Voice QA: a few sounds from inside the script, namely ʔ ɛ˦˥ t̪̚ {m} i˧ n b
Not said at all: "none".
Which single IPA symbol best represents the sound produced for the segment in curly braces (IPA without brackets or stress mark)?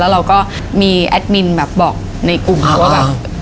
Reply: m